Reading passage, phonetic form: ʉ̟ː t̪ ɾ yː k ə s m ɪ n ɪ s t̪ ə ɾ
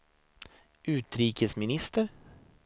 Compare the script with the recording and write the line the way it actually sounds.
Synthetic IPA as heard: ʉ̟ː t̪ ɾ iː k ə s m ɪ n ɪ s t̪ ə ɾ

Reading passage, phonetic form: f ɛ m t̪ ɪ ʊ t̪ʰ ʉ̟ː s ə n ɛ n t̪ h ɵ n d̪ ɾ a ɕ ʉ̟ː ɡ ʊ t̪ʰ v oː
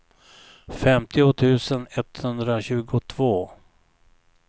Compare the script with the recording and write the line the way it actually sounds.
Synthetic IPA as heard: f ɛ m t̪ ɪ ʊ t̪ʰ ʉ̟ː s ə n ɛ t̪ h ɵ n d̪ ɾ a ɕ ʉ̟ː ɡ ʊ t̪ʰ v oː

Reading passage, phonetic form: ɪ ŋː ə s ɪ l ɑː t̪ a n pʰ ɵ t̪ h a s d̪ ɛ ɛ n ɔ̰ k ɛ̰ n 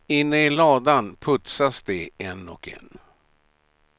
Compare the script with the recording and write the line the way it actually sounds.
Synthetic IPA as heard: ɪ nː ə ɪ l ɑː d̪ a n pʰ ɵ t̪ s a s d̪ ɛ ɛ n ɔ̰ k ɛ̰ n

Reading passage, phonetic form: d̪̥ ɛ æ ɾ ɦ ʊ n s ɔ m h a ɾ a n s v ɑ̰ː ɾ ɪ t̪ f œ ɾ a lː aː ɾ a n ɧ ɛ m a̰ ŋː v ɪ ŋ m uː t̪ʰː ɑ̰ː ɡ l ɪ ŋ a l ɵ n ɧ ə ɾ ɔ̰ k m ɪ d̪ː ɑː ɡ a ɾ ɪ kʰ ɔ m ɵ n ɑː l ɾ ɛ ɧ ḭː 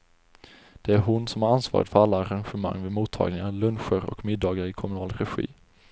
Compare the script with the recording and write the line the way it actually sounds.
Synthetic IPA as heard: d̪̥ ɛ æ ɾ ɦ ʊ n s ɔ m h a ɾ a n s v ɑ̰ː ɾ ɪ t̪ f œ ɾ a lː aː ɾ a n ɧ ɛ m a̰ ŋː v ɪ m uː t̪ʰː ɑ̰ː ɡ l ɪ ŋ a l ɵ n ɧ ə ɾ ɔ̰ k m ɪ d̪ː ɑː ɡ a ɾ ɪ kʰ ɔ m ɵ n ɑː l ɾ ɛ ɧ ḭː

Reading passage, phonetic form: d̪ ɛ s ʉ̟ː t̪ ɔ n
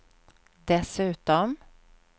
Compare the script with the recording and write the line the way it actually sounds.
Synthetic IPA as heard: d̪ ɛ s ʉ̟ː t̪ ɔ m

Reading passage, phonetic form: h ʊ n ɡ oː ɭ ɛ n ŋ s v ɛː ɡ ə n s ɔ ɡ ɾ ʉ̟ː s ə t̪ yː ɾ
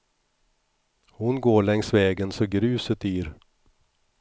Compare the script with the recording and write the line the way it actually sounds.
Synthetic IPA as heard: h ʊ n ɡ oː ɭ ɛ ŋ s v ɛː ɡ ə n s ɔ ɡ ɾ ʉ̟ː s ə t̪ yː ɾ

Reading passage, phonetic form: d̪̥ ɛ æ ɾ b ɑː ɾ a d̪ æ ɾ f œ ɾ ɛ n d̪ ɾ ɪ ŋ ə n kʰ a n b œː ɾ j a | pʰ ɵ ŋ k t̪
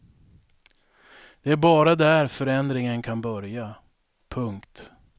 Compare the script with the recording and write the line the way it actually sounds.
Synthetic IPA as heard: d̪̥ ɛ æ ɾ b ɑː ɾ a d̪ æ ɾ f œ ɾ ɛ n d̪ ɾ ɪ ŋ ə n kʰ a n b œ ɾ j a | pʰ ɵ ŋ k t̪

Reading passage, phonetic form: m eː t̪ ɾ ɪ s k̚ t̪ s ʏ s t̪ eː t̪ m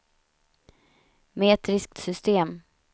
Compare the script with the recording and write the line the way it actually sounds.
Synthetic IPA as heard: m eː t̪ ɾ ɪ s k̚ t̪ s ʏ s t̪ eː m

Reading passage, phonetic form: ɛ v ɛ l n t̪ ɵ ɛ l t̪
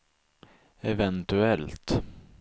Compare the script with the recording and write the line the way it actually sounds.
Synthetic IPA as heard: ɛ v ɛ n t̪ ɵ ɛ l t̪

